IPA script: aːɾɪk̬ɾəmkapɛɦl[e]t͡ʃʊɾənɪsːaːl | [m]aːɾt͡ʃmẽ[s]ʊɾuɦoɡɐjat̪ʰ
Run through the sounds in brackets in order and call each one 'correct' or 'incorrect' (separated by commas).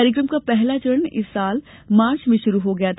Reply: incorrect, correct, incorrect